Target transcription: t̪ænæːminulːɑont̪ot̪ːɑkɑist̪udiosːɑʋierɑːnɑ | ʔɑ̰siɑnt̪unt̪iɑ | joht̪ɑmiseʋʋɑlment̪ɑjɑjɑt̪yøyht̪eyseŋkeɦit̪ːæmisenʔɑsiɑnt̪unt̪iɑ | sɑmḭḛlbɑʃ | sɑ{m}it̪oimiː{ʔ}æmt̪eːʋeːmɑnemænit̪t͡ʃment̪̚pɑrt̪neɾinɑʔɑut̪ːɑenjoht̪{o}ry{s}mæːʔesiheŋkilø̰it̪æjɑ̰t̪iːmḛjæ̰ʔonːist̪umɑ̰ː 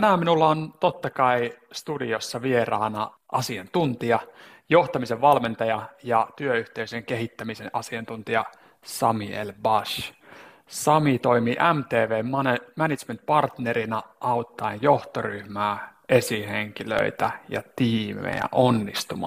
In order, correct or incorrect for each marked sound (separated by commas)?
correct, correct, correct, incorrect